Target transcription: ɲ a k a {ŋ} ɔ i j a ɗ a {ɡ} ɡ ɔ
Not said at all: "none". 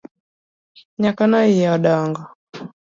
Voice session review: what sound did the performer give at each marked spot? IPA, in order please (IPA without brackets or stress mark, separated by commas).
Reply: n, ŋ